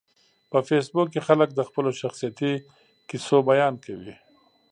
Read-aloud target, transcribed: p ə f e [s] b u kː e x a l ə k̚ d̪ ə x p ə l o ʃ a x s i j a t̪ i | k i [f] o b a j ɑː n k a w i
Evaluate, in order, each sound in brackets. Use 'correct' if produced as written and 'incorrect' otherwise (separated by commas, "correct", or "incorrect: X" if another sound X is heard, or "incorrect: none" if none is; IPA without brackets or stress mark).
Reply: correct, incorrect: s